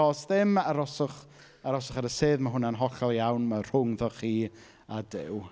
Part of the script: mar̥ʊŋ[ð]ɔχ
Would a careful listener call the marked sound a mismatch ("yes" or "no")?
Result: no